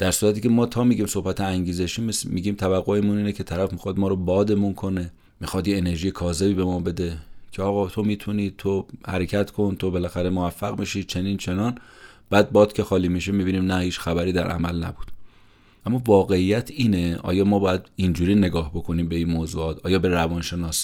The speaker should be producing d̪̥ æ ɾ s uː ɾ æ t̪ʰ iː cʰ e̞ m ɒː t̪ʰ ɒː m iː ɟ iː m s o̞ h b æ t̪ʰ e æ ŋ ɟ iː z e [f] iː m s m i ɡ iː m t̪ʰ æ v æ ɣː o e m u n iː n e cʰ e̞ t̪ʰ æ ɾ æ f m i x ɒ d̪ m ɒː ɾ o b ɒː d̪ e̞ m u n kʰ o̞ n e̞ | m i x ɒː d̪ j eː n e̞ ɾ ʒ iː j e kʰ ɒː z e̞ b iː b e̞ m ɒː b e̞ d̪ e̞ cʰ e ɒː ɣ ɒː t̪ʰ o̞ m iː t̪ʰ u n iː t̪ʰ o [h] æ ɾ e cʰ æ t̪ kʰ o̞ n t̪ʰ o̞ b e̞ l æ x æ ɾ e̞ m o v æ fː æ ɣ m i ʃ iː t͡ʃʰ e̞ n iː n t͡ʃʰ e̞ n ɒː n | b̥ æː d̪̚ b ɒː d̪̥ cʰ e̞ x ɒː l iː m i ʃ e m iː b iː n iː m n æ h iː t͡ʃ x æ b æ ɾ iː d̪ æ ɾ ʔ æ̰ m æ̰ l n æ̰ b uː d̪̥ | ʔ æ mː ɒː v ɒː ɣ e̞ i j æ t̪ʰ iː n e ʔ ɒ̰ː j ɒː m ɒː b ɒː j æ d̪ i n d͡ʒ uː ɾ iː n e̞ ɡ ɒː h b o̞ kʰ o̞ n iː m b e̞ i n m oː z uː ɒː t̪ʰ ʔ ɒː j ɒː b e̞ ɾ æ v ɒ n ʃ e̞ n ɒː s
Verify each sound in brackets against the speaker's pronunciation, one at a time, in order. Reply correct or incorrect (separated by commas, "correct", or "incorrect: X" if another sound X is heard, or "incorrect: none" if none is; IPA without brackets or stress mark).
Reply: incorrect: ʃ, correct